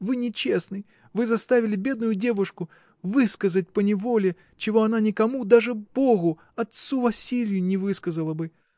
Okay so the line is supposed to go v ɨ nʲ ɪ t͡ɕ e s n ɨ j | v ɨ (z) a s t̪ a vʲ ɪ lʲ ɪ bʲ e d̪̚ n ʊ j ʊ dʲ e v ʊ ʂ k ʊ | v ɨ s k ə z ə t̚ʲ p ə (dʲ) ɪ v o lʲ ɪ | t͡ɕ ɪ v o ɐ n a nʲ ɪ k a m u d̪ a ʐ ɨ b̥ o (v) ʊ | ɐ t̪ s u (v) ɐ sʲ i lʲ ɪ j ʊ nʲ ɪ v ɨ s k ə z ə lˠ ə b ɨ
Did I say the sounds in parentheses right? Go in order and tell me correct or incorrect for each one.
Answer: correct, incorrect, incorrect, correct

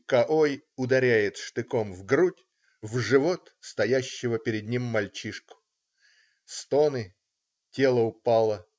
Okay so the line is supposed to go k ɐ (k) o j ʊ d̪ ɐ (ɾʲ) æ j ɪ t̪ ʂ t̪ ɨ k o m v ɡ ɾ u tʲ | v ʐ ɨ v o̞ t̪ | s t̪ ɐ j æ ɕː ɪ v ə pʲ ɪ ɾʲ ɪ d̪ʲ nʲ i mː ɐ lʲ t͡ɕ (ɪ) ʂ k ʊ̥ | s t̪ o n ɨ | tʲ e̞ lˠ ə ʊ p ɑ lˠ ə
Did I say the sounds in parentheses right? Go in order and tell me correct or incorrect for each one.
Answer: incorrect, correct, incorrect

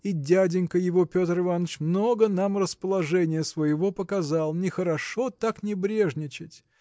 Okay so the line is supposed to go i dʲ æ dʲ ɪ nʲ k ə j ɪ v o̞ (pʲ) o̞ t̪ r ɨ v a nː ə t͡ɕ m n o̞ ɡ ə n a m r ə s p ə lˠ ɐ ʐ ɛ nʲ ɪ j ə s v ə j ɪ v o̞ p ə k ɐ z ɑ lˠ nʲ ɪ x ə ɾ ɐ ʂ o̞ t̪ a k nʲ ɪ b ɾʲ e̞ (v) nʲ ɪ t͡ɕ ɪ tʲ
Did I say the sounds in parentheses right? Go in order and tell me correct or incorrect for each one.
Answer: correct, incorrect

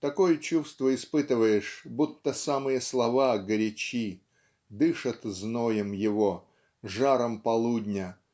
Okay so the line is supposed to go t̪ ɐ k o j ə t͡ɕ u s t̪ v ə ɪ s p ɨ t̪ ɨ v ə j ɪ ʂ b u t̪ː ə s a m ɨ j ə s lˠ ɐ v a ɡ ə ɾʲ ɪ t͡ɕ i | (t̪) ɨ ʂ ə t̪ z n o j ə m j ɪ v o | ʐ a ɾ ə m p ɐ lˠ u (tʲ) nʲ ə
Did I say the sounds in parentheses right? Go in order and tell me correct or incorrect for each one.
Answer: incorrect, incorrect

